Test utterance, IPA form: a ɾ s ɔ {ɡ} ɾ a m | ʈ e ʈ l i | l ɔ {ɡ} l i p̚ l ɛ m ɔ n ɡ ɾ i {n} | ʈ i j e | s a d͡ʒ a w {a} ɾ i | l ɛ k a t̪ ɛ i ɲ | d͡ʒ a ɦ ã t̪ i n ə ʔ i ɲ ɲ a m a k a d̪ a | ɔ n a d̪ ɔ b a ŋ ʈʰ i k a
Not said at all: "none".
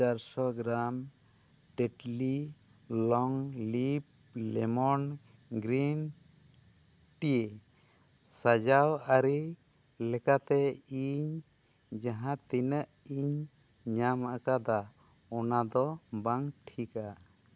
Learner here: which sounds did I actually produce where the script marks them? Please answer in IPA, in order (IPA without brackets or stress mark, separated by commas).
ɡ, ŋ, n, a